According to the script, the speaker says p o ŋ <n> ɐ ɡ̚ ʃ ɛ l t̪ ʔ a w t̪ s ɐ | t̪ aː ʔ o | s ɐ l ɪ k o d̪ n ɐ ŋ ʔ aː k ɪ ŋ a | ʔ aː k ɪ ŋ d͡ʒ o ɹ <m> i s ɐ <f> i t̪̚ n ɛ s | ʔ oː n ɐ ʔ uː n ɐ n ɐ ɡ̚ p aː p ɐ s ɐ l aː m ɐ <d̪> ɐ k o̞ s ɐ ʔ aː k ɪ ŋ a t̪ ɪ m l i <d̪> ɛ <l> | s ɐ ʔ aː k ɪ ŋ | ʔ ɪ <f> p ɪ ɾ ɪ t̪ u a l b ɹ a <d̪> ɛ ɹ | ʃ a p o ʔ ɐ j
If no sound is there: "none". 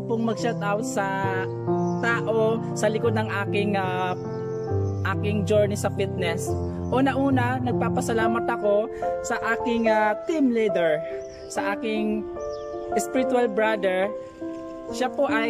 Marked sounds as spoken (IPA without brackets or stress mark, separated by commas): m, n, f, t̪, d̪, ɹ, s, d̪